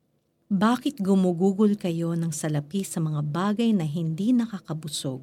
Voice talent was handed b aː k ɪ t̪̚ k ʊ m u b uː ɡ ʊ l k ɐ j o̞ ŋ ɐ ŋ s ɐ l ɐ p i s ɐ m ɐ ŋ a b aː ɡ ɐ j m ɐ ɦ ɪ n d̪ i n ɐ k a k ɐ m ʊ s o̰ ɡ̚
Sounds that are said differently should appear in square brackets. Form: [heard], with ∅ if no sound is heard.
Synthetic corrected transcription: b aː k ɪ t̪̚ [ɡ] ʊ m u [ɡ] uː ɡ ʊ l k ɐ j o̞ [n] ɐ ŋ s ɐ l ɐ p i s ɐ m ɐ ŋ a b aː ɡ ɐ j [n] ɐ ɦ ɪ n d̪ i n ɐ k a k ɐ [b] ʊ s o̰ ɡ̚